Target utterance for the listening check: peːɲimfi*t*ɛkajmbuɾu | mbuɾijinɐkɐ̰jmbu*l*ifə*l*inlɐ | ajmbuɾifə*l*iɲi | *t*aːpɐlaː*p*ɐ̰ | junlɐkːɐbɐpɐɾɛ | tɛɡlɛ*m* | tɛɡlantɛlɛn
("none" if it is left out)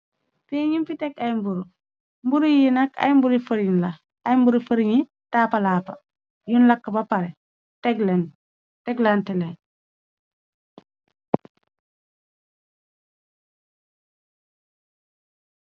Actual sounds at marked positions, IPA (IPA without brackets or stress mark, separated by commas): t, ɾ, ɾ, ɾ, t, p, n